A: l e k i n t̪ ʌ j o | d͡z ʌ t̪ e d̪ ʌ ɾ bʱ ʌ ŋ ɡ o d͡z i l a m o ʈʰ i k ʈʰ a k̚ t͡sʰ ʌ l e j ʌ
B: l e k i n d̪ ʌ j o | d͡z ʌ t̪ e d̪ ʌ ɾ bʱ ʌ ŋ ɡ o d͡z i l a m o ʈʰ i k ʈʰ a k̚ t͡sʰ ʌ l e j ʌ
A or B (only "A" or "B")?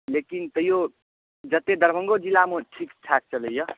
A